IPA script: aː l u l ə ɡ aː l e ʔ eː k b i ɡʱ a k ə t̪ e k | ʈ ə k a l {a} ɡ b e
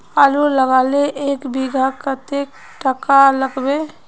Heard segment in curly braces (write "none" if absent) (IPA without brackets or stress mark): ə